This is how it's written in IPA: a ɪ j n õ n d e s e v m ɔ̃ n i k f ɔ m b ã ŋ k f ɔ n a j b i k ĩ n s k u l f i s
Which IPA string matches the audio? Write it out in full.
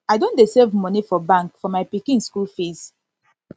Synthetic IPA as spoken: a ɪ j d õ n d e s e v m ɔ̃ n i f ɔ b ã ŋ k f ɔ m a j p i k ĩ n s k u l f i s